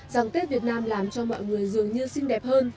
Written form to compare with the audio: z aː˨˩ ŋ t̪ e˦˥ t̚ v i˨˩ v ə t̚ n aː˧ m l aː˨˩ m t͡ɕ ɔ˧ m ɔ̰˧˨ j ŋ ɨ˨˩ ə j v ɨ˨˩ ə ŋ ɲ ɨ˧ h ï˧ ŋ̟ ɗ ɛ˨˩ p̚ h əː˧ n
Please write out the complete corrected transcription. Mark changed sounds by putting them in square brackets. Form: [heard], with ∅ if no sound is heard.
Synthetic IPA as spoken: z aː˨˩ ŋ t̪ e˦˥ t̚ v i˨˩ [∅] ə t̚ n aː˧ m l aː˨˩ m t͡ɕ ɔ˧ m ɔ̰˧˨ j ŋ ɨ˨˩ ə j [z] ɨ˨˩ ə ŋ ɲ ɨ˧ [s] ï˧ ŋ̟ ɗ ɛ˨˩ p̚ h əː˧ n